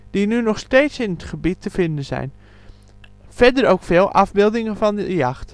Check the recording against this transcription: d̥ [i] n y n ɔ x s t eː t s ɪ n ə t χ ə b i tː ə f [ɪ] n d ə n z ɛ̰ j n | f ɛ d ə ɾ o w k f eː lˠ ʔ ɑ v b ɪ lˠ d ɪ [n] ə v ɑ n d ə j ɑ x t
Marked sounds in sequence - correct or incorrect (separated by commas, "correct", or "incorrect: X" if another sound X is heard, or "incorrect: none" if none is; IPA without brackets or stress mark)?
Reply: correct, correct, incorrect: ŋ